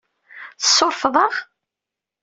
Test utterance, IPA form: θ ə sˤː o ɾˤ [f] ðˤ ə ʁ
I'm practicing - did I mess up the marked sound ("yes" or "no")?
no